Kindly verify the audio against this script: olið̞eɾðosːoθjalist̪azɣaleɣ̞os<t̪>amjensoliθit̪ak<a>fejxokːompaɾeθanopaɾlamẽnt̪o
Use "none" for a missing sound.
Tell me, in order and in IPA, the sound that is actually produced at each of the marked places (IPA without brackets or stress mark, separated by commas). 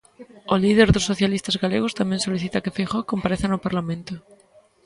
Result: t̪, e